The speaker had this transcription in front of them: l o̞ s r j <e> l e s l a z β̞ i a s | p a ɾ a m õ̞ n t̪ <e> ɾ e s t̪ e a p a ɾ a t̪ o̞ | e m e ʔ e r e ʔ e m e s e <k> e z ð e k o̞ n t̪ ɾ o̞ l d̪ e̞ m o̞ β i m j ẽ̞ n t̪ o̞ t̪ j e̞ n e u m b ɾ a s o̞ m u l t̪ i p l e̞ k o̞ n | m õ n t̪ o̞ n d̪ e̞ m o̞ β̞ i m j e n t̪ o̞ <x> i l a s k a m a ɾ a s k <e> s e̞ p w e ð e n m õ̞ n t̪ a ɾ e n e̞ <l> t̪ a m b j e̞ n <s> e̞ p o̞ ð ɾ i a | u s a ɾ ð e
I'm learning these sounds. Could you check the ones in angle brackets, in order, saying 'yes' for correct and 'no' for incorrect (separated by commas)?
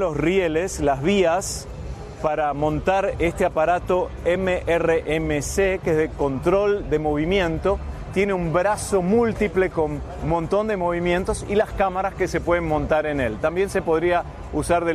yes, no, yes, no, yes, yes, yes